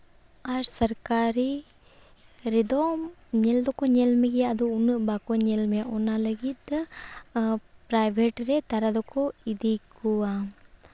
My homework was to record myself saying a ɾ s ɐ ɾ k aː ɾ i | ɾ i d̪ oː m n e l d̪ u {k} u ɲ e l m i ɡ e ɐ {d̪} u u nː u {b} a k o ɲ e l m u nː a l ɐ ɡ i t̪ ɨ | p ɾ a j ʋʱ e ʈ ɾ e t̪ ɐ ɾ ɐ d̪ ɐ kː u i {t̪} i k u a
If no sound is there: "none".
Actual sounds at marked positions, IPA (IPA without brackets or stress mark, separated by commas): k, d̪, b, d̪